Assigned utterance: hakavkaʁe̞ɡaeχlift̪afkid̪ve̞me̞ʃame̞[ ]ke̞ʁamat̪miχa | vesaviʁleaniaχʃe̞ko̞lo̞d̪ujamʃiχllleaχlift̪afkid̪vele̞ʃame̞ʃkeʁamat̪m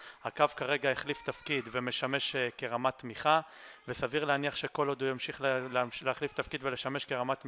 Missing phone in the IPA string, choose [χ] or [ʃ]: ʃ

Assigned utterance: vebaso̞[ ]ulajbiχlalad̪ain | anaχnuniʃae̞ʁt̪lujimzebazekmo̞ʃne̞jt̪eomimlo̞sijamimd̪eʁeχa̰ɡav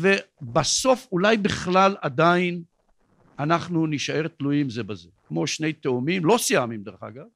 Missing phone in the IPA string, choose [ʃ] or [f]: f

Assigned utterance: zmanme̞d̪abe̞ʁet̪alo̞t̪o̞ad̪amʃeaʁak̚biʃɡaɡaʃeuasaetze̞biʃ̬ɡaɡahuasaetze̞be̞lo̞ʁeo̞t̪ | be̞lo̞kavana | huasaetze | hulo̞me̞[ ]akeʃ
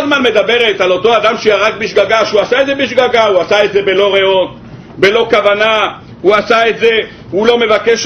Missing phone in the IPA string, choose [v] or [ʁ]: v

